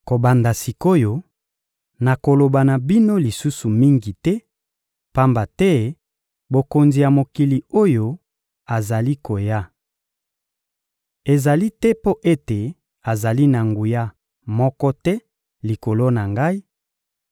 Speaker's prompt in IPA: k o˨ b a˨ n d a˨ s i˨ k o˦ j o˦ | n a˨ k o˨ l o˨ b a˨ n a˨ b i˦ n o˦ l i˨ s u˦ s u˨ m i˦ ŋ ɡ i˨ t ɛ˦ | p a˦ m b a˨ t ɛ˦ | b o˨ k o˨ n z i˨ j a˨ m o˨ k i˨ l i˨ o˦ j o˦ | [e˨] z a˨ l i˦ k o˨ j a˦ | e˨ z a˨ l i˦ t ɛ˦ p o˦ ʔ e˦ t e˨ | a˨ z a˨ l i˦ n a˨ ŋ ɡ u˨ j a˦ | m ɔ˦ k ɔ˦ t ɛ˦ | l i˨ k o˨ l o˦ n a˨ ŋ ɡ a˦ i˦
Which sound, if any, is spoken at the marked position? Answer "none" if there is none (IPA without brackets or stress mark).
a˨